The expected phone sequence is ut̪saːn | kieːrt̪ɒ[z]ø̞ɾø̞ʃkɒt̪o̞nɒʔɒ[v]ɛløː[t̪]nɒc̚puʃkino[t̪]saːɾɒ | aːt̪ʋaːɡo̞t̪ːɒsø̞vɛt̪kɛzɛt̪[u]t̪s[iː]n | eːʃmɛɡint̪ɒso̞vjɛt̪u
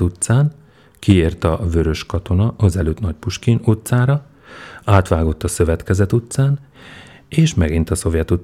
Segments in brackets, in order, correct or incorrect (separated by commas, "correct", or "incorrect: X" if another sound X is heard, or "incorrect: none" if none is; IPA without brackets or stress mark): incorrect: v, incorrect: z, correct, correct, correct, incorrect: aː